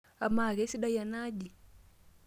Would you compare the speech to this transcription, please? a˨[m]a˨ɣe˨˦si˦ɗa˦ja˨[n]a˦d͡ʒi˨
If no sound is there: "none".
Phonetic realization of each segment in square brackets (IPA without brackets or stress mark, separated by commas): m, n